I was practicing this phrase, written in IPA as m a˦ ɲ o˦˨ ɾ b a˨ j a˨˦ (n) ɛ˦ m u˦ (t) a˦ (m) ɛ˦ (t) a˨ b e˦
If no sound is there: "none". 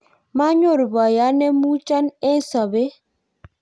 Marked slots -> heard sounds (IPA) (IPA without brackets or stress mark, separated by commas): n, t͡ʃ, n, s